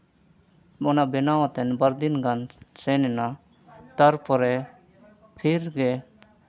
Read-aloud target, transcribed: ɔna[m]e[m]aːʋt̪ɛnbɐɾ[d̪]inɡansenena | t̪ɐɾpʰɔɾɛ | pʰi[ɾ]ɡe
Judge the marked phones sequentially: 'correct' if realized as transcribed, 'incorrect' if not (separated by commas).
incorrect, incorrect, correct, correct